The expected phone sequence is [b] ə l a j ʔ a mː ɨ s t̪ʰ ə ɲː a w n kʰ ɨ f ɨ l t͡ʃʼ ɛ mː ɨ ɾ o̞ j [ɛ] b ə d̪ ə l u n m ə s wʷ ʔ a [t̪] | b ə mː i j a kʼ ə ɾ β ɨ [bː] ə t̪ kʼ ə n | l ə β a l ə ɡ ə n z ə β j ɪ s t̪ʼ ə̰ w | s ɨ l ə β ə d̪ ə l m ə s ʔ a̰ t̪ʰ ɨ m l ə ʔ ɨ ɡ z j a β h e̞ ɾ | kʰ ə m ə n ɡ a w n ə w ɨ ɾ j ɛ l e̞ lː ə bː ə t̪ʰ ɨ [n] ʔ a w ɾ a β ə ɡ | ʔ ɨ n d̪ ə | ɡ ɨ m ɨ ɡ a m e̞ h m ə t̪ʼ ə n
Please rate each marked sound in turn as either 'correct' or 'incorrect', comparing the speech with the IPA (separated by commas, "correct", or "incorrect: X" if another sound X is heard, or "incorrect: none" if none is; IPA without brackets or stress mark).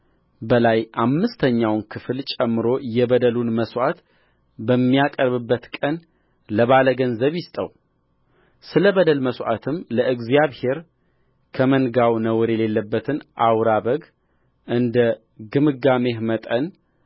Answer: correct, correct, correct, correct, correct